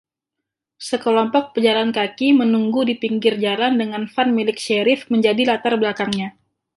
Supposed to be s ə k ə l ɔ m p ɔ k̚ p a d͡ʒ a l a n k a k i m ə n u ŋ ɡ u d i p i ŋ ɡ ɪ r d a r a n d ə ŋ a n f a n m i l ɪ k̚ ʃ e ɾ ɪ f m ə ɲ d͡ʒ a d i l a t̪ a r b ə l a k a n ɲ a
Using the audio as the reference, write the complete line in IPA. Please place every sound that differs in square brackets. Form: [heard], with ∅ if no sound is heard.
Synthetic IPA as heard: s ə k ə l ɔ m p ɔ k̚ p [ə] d͡ʒ a l a n k a k i m ə n u ŋ ɡ u d i p i ŋ ɡ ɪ r [d͡ʒ] a [l] a n d ə ŋ a n f a n m i l ɪ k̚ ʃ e ɾ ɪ f m ə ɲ d͡ʒ a d i l a t̪ a r b ə l a k a [ŋ] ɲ a